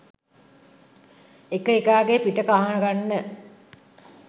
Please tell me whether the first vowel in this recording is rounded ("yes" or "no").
no